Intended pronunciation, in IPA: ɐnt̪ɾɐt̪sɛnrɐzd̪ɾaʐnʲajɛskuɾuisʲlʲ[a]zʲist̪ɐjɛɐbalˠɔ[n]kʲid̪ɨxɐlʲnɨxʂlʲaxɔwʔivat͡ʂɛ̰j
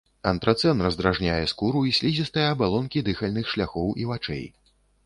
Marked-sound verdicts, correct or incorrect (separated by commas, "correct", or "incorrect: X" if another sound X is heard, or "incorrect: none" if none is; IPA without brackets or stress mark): incorrect: i, correct